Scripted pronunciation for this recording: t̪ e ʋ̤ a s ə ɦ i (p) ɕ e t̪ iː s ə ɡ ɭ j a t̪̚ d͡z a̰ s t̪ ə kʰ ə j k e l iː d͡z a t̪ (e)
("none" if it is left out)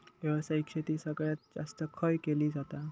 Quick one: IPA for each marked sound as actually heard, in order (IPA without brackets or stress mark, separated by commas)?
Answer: k, a